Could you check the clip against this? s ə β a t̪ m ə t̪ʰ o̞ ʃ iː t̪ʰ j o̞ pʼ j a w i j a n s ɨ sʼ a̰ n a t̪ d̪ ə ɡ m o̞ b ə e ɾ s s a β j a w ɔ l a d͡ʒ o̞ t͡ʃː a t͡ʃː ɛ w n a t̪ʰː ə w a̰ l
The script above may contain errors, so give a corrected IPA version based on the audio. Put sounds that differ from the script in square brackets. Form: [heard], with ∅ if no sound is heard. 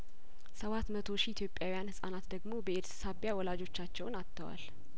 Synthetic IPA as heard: s ə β a t̪ m ə t̪ʰ o̞ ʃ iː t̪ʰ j o̞ pʼ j a w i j a n [h] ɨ sʼ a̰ n a t̪ d̪ ə ɡ m o̞ b ə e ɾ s s a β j a w ɔ l a d͡ʒ o̞ t͡ʃː a t͡ʃː ɛ w n a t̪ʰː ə w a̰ l